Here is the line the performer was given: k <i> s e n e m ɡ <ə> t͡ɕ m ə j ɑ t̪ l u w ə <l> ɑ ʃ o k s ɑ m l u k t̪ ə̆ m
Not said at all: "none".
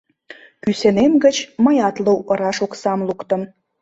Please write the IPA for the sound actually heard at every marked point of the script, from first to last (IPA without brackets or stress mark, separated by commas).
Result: y, ə, ɾ